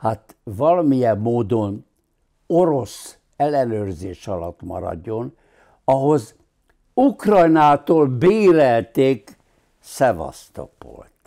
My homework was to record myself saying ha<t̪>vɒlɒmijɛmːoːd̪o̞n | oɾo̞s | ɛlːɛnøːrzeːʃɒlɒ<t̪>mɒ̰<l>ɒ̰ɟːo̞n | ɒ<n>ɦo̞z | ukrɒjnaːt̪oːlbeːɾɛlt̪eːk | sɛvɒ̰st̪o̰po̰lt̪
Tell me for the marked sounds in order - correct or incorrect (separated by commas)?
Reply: correct, correct, incorrect, incorrect